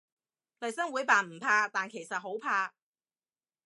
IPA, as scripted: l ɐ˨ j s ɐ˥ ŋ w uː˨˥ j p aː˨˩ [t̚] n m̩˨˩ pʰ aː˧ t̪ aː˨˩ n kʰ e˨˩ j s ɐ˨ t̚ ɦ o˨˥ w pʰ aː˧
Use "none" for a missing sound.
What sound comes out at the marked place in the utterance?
none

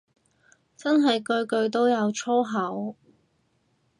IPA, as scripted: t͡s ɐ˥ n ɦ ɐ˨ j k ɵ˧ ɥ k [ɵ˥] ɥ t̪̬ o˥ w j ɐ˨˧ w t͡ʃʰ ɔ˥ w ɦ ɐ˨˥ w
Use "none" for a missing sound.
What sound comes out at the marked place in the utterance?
ɵ˧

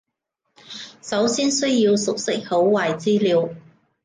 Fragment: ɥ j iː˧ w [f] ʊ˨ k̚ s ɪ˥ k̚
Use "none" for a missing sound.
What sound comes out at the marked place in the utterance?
s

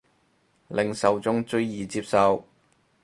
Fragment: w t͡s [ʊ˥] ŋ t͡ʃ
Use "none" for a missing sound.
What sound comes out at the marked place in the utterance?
ʊ˥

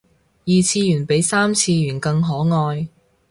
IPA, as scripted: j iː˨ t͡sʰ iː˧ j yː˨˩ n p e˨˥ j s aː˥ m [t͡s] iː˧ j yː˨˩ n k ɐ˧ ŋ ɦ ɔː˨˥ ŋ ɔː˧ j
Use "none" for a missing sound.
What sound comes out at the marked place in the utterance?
t͡sʰ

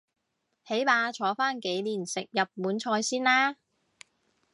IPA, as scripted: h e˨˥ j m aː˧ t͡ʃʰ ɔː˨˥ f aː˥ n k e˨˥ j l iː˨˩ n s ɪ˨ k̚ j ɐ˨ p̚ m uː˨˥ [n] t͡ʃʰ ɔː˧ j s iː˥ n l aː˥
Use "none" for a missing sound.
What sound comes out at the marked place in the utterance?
n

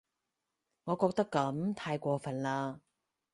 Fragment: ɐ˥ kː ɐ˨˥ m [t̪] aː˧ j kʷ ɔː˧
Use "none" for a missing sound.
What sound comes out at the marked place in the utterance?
t̪ʰ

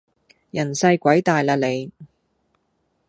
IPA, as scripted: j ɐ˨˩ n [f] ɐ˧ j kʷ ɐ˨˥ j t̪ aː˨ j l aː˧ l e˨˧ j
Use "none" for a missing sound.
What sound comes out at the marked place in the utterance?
s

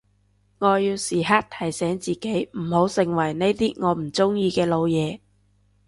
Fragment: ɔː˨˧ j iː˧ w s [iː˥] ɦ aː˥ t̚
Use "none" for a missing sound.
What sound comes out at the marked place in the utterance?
iː˨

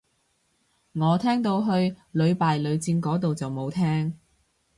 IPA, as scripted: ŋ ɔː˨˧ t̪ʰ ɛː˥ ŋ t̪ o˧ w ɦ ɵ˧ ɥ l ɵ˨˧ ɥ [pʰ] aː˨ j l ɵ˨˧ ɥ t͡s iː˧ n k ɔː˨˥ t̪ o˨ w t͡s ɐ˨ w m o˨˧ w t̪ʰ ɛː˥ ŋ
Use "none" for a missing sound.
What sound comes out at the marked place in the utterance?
p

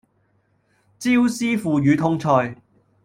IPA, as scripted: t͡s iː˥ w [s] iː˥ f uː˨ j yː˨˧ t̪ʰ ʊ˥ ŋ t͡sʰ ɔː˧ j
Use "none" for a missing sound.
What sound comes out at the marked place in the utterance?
s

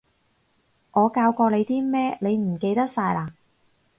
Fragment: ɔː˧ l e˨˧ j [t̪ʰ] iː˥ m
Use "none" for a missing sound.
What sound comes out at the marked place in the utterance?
t̪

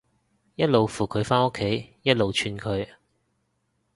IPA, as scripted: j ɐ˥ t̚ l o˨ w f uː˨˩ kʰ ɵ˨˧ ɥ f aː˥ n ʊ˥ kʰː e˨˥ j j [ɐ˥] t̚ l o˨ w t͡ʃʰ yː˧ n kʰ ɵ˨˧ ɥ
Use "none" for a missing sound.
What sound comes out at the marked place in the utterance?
ɐ˥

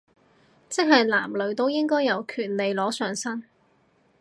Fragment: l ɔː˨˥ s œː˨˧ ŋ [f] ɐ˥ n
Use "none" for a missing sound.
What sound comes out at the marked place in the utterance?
s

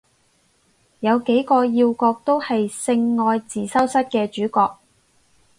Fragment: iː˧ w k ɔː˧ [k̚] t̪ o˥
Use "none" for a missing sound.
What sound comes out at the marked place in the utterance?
k̚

